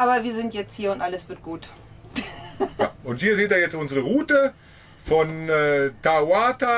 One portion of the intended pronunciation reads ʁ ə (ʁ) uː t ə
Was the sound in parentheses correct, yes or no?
yes